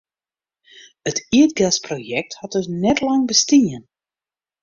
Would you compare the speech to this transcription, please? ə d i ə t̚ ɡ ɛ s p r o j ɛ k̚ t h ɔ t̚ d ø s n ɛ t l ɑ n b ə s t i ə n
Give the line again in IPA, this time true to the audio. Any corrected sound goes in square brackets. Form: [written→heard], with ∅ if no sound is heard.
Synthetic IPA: ə [d→t] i ə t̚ ɡ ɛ s p r o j ɛ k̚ t h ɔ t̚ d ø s n ɛ t l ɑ [n→ŋ] b ə s t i ə n